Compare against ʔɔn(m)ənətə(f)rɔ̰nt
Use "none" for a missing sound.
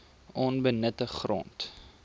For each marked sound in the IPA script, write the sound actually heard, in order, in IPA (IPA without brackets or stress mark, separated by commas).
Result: b, χ